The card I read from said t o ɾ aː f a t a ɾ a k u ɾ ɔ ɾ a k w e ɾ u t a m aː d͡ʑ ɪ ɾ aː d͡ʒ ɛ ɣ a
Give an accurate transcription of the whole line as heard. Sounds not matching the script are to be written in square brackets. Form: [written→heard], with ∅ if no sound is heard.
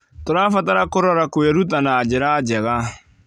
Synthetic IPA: t o ɾ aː f a t a ɾ a k [u→o] ɾ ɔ ɾ a k w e ɾ u t a [m→n] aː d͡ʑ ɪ ɾ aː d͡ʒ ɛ ɣ a